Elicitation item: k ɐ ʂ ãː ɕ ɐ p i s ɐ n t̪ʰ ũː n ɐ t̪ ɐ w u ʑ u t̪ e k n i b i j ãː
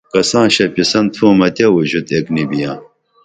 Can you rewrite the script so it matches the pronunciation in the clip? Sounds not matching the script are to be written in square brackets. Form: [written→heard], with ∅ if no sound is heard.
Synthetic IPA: k ɐ [ʂ→s] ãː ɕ ɐ p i s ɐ n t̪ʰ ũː [n→m] ɐ t̪ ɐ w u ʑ u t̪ e k n i b i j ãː